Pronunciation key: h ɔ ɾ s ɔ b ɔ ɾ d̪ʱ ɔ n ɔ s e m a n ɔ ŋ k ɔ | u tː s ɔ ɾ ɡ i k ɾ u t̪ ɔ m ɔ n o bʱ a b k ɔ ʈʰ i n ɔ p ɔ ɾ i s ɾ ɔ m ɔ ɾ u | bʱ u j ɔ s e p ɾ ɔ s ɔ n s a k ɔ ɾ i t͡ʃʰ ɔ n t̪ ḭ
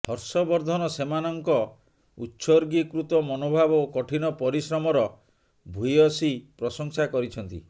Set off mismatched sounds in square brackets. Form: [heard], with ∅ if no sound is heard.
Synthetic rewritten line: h ɔ ɾ s ɔ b ɔ ɾ d̪ʱ ɔ n ɔ s e m a n ɔ ŋ k ɔ | u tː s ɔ ɾ ɡ i k ɾ u t̪ ɔ m ɔ n o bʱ a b k ɔ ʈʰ i n ɔ p ɔ ɾ i s ɾ ɔ m ɔ ɾ [ɔ] | bʱ u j ɔ s [i] p ɾ ɔ s ɔ [ŋ] s a k ɔ ɾ i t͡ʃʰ ɔ n t̪ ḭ